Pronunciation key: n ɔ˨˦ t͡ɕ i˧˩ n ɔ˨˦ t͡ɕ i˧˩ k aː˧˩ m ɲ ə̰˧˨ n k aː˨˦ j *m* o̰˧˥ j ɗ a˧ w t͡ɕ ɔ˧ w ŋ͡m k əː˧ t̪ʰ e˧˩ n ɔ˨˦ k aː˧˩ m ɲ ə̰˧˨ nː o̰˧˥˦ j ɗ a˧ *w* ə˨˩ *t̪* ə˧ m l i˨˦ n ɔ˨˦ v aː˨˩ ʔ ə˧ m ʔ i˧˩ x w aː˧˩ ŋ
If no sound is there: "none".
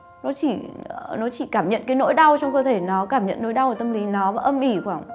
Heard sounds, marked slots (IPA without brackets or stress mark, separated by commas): n, w, t̪